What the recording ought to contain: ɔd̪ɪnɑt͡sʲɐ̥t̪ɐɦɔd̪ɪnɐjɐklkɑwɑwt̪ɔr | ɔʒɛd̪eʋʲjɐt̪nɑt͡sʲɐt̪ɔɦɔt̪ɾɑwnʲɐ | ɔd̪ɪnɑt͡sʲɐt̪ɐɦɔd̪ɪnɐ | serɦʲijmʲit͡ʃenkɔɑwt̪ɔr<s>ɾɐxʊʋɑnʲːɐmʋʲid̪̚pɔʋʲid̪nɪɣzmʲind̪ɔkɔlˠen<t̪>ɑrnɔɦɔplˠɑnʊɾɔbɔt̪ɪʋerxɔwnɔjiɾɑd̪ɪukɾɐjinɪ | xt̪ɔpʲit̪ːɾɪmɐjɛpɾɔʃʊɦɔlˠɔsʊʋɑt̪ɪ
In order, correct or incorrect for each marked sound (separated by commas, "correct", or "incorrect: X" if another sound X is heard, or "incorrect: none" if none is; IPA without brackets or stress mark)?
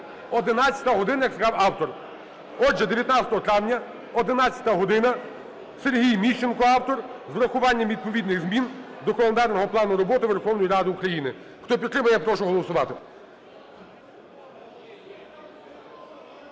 incorrect: z, incorrect: d̪